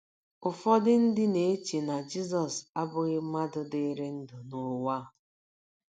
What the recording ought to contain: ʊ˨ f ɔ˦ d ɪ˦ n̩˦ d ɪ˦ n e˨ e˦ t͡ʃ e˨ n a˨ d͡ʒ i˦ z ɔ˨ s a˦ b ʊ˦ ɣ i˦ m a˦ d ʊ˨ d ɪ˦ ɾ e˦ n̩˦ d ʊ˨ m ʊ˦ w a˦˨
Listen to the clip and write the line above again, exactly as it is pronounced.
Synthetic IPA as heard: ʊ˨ f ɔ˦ d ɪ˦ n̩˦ d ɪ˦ n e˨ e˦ t͡ʃ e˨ n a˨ d͡ʒ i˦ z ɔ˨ s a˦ b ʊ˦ ɣ ɪ˦ m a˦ d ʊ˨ d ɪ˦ ɾ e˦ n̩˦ d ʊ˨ n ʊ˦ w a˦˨